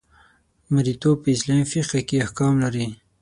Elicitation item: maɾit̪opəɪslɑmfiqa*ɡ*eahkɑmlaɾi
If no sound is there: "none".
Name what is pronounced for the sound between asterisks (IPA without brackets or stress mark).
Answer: k